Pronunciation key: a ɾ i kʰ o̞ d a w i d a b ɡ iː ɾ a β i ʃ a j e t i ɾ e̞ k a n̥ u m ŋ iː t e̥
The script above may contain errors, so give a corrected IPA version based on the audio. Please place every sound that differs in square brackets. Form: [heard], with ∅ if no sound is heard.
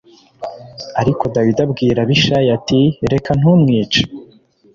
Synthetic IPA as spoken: a ɾ i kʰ o̞ d a w i d a b ɡ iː ɾ a β i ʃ a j [a] t i ɾ e̞ k a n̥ u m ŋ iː [t͡ʃ] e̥